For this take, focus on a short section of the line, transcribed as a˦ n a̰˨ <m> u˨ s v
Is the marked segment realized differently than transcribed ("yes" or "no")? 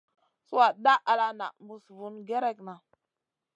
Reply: no